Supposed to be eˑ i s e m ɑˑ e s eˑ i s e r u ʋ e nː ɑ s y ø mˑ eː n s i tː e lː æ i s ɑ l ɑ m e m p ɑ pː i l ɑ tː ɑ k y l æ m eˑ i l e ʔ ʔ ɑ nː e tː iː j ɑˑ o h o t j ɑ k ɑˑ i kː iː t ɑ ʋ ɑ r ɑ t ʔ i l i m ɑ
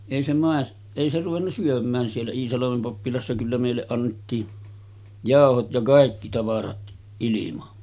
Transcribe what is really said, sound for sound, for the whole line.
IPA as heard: eˑ i s e m ɑˑ e s eˑ i s e r u ʋ e nː ɑ s y ø mˑ æː n s i e lː æ iː s ɑ l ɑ m e m p ɑ pː i l ɑ sː ɑ k y lː æ m eˑ i lː e ʔ ʔ ɑ nː e tː iː j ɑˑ o h o t j ɑ k ɑˑ i kː i t ɑ ʋ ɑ r ɑ t ʔ i l i m ɑ